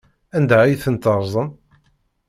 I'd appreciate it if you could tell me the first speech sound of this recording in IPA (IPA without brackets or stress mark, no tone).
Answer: æ